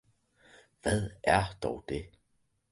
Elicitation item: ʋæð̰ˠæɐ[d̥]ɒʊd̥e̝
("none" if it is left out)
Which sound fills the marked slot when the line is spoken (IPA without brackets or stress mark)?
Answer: d̥